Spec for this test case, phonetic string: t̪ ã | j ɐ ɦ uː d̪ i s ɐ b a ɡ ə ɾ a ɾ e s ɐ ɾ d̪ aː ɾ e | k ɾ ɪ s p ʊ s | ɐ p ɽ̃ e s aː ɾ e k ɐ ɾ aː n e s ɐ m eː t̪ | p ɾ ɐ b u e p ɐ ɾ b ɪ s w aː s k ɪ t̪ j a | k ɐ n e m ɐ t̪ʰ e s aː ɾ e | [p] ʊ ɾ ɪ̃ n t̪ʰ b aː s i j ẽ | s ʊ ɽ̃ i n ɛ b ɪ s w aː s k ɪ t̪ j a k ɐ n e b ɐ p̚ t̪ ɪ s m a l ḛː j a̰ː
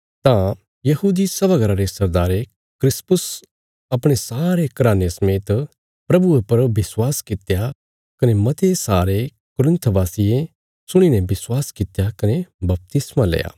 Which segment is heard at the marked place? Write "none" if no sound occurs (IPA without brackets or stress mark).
k